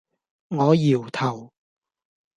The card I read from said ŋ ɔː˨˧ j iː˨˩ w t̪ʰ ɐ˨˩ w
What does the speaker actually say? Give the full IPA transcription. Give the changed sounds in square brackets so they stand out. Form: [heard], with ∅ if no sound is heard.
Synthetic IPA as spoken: ŋ ɔː˨˧ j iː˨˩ w t̪ʰ ɐ˨˩ w